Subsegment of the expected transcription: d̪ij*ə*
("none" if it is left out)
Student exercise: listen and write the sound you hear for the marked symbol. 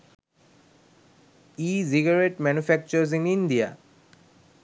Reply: a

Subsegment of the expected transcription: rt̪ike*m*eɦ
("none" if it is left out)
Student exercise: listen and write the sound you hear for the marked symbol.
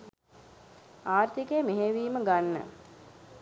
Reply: m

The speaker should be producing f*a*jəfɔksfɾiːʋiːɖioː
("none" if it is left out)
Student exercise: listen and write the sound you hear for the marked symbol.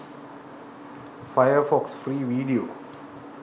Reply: a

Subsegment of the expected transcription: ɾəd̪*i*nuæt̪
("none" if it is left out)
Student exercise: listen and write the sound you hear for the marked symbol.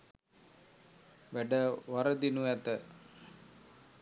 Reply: i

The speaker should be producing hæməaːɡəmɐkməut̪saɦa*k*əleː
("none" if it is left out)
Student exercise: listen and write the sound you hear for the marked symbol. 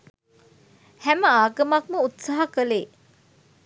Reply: k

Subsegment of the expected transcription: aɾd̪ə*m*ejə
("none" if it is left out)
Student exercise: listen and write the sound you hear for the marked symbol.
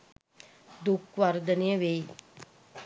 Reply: n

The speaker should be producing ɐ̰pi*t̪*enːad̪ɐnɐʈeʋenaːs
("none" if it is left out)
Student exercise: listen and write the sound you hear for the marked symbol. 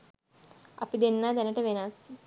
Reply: d̪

